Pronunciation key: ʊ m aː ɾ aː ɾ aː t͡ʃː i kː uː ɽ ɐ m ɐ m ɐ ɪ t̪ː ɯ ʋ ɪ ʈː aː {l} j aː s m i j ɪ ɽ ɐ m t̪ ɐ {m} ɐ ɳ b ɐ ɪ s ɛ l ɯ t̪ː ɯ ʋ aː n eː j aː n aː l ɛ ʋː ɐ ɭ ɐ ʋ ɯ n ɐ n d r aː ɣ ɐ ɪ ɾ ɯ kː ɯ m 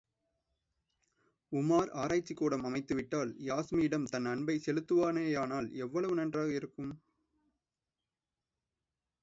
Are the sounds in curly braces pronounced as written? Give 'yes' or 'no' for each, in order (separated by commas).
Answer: yes, no